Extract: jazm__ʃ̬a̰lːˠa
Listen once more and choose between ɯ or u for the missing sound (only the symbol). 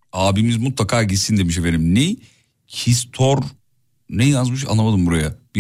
ɯ